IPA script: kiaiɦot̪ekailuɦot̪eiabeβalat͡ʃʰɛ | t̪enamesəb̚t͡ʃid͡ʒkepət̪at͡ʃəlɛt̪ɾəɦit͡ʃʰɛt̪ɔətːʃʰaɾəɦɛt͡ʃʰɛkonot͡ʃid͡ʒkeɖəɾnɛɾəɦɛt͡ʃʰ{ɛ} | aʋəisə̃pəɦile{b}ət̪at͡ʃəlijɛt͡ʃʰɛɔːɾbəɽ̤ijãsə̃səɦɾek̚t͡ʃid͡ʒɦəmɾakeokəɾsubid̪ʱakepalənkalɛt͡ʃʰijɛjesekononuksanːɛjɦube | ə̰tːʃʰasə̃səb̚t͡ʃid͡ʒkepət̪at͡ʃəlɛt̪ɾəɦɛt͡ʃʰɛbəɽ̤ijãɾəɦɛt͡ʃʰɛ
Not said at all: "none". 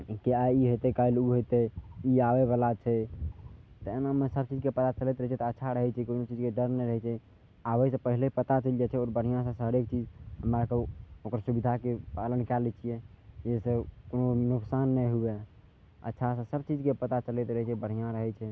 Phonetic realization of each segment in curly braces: ɛ, p

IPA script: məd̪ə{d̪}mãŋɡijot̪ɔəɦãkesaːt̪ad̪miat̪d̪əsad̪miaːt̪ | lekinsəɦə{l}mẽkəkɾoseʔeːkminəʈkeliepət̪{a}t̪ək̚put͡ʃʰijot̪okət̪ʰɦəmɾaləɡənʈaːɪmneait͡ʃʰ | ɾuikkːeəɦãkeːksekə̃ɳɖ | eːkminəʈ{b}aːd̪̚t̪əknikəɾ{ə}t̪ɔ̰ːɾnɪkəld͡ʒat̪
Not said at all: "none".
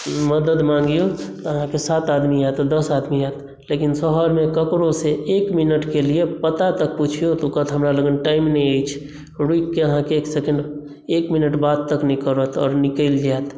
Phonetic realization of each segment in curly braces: d̪, ɾ, a, b, ə

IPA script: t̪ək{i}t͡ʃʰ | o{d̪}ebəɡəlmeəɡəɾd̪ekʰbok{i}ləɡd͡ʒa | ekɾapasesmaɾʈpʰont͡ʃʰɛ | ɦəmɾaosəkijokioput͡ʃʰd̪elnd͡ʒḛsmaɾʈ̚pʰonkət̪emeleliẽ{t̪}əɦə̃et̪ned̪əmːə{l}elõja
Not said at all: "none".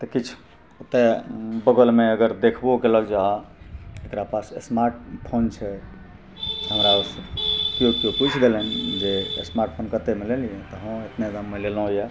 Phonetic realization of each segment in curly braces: i, t̪, e, t̪, l

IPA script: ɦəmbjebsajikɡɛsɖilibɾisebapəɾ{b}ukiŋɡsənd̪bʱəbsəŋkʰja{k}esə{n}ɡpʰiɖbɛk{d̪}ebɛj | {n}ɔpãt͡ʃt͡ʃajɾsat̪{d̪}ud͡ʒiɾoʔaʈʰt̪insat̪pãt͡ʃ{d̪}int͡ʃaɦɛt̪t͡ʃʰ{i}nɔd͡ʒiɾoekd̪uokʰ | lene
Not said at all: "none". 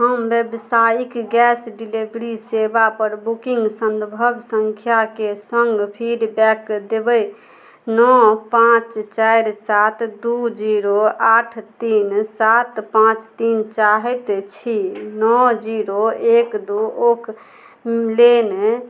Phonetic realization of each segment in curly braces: b, k, ŋ, d̪, n, d̪, t̪, i

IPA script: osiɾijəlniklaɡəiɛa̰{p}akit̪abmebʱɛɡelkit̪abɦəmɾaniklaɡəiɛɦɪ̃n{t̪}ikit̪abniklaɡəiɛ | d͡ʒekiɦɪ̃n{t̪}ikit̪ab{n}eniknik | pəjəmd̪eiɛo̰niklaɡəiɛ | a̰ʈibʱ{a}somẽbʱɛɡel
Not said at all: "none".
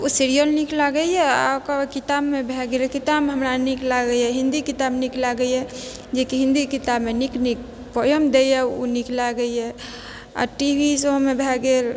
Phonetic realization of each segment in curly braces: k, d̪, d̪, m, i

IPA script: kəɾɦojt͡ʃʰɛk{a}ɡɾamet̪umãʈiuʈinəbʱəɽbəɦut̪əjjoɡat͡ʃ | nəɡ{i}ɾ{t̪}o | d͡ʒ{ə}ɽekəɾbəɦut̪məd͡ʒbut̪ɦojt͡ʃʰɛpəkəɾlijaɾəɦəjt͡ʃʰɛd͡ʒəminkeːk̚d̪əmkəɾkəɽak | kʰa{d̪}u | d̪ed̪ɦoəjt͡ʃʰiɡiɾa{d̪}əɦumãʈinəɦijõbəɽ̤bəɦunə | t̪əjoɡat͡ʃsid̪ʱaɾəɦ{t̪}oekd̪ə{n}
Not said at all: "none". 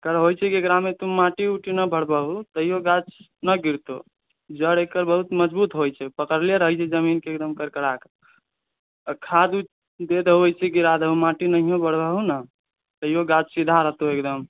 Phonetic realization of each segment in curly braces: e, i, t̪, ə, d̪, d̪, t̪, m

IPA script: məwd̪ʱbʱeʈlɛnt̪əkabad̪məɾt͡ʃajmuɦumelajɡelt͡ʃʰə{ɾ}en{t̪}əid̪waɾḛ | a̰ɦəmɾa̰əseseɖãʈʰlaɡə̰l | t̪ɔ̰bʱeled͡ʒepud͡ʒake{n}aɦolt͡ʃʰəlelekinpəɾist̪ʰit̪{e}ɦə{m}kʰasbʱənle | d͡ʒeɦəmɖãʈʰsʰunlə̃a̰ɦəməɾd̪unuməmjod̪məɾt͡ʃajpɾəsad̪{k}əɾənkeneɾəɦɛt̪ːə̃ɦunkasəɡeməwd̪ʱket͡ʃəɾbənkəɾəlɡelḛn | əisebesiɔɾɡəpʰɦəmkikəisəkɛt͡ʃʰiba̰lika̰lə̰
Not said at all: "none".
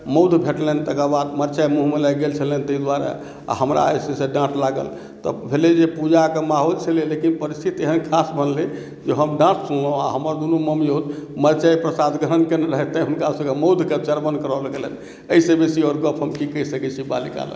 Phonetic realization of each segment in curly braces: l, t̪, m, e, n, ɡ

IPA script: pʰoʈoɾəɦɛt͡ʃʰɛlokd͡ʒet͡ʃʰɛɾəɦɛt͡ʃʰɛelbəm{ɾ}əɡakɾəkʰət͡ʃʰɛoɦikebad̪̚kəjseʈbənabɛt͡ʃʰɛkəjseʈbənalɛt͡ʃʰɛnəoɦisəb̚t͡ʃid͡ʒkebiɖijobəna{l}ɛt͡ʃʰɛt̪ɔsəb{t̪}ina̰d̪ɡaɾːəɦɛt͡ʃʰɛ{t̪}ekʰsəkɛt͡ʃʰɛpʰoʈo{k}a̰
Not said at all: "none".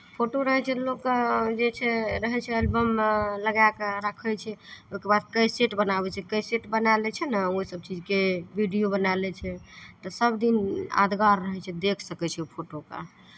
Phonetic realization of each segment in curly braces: l, l, d̪, d̪, k

